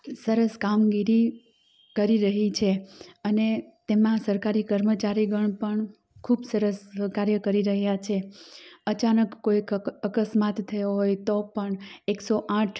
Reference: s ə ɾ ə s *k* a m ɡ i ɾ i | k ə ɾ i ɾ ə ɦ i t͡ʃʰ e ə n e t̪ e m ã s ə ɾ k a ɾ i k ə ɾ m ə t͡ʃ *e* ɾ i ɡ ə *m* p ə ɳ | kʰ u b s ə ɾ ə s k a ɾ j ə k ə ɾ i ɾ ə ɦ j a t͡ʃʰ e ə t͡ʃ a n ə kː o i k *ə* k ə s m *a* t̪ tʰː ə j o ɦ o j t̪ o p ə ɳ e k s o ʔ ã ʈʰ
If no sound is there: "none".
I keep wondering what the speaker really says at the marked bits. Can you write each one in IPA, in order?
k, a, ɳ, ə, a

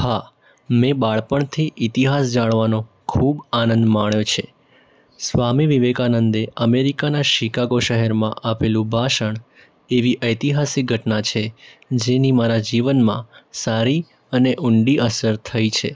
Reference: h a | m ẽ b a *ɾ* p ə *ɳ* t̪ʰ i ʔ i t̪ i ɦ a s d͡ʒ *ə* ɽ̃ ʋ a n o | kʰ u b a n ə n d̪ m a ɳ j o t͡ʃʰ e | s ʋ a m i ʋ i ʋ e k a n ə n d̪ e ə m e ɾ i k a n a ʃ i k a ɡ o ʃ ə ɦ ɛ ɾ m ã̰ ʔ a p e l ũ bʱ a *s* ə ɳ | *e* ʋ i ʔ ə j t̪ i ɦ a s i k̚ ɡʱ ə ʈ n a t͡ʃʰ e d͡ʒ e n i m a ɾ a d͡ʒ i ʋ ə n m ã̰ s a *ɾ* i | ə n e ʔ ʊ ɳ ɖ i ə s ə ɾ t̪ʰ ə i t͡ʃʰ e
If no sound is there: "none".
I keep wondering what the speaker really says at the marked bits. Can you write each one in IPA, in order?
ɭ, ɳ, a, ʃ, e, ɾ

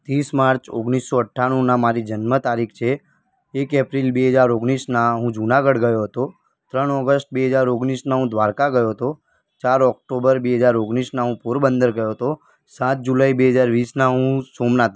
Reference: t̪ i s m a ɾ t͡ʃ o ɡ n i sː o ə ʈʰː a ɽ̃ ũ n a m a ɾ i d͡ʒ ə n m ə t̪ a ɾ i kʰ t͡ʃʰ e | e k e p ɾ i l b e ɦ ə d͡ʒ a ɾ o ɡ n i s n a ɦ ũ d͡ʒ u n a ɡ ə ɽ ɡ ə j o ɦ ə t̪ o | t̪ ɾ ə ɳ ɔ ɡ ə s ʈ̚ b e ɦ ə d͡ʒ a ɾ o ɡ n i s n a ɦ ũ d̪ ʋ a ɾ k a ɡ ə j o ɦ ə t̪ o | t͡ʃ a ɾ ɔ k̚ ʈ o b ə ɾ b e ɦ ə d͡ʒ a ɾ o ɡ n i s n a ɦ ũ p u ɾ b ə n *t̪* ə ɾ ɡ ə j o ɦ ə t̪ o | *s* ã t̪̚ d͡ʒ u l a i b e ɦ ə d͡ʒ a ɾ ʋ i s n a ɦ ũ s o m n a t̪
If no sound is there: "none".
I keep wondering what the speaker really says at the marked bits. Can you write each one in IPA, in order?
d̪, s

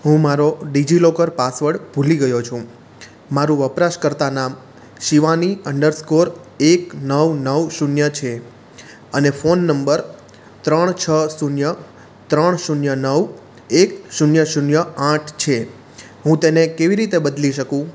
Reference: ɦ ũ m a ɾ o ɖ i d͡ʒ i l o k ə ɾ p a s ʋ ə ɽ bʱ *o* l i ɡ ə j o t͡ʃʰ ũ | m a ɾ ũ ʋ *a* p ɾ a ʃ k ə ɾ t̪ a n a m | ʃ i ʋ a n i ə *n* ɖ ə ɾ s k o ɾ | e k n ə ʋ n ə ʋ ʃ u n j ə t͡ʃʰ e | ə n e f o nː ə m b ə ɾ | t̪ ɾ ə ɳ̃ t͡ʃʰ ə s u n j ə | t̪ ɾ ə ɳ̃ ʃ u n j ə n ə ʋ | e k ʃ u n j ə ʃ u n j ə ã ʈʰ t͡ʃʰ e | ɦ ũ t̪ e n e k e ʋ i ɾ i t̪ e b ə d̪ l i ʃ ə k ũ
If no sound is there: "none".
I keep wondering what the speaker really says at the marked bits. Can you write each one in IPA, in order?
u, ə, ɳ

